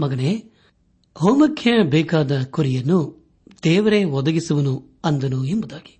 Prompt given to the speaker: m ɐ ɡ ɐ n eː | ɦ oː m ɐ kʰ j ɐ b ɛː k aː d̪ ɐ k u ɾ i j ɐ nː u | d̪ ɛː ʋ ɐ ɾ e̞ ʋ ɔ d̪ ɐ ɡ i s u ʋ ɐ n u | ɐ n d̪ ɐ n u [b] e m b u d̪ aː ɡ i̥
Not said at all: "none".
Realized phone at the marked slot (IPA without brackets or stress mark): none